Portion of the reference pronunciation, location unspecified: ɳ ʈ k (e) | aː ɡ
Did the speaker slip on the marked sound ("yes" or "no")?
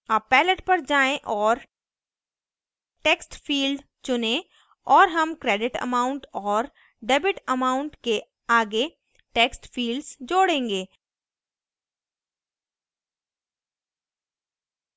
no